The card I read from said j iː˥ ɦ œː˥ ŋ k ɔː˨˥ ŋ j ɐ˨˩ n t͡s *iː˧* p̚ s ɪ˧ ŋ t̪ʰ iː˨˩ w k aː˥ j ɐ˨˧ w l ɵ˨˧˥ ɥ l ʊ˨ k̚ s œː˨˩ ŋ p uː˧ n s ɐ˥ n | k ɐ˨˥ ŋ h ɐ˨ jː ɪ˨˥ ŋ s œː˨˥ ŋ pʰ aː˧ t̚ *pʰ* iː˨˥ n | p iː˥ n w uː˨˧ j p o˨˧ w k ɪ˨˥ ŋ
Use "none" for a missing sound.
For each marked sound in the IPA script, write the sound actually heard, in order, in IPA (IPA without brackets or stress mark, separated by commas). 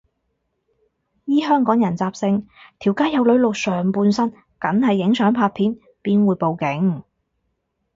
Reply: aː˧, pʰ